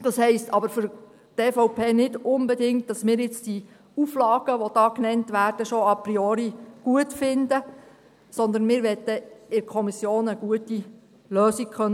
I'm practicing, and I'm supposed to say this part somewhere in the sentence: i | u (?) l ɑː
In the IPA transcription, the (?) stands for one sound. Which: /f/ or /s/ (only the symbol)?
f